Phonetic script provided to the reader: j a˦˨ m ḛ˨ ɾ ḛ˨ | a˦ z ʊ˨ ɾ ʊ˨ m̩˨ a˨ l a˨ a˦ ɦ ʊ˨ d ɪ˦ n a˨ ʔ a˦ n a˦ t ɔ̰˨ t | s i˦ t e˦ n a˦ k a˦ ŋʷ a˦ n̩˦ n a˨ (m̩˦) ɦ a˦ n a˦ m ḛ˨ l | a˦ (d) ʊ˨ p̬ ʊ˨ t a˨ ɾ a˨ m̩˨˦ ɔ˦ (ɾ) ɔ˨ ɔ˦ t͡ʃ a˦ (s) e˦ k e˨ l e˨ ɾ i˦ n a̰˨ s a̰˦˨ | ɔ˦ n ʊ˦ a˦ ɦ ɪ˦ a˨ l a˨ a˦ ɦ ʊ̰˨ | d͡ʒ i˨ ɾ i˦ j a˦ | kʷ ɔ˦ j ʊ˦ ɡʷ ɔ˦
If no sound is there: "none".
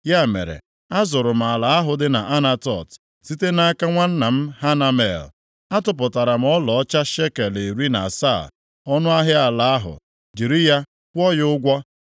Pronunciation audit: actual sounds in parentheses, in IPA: m̩˦, t, l, ʃ

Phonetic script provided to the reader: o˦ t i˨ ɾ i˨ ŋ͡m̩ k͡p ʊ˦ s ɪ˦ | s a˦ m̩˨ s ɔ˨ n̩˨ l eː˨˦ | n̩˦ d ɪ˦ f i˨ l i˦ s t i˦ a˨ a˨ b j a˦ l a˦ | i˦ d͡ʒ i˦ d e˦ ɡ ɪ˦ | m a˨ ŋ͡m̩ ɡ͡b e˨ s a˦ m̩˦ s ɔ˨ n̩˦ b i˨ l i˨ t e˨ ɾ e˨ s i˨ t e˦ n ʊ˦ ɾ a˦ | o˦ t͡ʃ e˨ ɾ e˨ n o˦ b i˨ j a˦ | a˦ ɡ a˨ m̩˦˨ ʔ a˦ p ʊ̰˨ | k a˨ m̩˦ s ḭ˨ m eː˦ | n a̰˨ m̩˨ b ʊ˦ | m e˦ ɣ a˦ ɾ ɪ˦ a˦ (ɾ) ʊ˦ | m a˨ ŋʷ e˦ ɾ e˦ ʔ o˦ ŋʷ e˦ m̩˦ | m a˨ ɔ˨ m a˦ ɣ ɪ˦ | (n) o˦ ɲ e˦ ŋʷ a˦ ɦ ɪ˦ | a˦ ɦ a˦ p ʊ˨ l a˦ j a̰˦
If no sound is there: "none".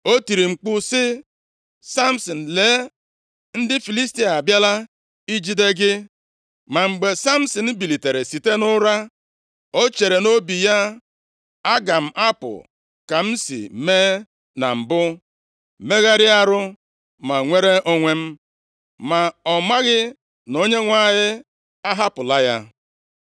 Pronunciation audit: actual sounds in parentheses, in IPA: ɾ, n

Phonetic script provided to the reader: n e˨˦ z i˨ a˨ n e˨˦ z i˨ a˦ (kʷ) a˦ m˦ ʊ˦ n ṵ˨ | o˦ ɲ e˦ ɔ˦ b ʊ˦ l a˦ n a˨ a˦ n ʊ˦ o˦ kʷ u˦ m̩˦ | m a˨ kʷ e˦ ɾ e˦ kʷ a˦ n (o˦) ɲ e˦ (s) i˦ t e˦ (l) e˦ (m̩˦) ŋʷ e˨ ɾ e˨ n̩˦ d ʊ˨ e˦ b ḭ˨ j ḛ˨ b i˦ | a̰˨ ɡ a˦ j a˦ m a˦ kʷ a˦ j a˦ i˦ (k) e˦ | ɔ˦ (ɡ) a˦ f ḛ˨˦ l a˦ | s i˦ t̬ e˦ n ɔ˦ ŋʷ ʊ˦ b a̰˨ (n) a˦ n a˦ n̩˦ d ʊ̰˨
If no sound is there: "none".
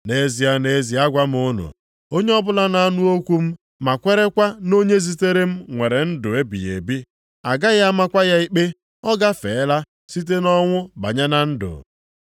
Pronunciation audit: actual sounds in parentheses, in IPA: ɡʷ, o˦, z, ɾ, m̩˦, k͡p, ɡ, ɲ

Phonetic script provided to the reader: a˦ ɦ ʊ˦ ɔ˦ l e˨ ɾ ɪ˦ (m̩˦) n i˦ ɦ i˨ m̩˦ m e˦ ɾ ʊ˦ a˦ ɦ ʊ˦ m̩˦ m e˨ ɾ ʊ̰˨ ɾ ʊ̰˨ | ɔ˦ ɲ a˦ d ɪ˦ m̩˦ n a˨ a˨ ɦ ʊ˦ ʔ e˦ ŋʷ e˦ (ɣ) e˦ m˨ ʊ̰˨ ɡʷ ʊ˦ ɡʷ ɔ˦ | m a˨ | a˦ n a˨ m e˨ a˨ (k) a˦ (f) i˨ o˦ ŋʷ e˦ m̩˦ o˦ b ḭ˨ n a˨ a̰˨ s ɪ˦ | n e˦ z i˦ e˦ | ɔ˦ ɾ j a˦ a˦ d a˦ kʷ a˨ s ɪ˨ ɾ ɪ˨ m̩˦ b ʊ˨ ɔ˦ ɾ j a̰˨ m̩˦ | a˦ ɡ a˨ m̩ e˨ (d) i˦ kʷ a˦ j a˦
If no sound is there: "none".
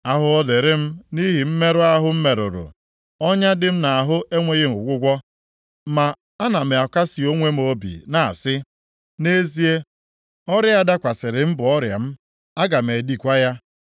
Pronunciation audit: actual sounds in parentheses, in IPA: m̩˦, ɣ, k, s, d

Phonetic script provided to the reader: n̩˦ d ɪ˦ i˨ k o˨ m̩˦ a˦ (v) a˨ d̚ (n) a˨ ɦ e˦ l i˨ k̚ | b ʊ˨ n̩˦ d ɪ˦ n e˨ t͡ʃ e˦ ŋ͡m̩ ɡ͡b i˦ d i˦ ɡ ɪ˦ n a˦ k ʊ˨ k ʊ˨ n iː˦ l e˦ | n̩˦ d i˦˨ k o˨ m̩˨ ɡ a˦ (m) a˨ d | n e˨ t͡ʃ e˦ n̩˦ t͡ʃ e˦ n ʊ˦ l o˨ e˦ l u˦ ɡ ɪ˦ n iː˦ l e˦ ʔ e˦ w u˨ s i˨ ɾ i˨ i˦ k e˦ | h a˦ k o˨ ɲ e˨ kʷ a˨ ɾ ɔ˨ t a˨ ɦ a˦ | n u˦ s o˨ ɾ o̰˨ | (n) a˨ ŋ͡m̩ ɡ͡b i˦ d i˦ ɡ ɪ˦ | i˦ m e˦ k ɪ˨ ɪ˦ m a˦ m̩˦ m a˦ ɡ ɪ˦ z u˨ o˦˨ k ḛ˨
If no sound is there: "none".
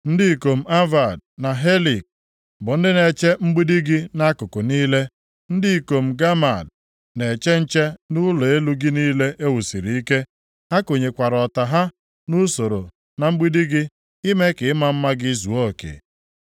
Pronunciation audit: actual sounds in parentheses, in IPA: v, n, m, n

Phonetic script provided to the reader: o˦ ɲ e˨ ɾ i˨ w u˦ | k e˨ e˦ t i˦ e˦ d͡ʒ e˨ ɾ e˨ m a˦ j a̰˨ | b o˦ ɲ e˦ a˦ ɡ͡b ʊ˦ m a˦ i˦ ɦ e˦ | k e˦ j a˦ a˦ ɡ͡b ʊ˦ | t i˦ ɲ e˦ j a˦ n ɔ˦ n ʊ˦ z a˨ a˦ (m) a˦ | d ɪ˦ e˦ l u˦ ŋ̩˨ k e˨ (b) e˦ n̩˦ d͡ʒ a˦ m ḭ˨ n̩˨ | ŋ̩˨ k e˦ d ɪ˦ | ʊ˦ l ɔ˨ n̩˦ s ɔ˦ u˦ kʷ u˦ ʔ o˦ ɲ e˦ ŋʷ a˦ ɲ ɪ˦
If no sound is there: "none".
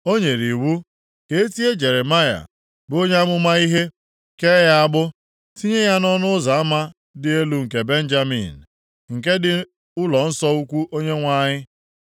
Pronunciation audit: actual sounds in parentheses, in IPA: m, b

